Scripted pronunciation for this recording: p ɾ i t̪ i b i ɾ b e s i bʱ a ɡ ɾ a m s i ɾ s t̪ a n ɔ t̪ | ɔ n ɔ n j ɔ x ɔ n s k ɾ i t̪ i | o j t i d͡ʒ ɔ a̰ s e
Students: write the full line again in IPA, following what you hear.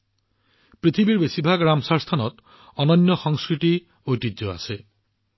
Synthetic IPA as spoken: p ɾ i t̪ʰ i b i ɾ b e s i bʱ a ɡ ɾ a m s a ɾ s t̪ʰ a n ɔ t̪ | ɔ n ɔ n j ɔ x ɔ ŋ s k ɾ i t̪ i | o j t i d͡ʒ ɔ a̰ s e